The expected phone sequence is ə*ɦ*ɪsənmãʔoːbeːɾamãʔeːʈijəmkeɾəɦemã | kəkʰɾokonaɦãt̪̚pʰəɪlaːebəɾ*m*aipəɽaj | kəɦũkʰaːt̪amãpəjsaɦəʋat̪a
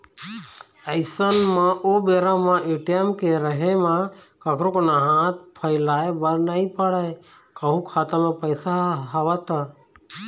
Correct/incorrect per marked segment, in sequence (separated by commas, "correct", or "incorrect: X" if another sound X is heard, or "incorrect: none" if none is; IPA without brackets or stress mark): incorrect: none, incorrect: n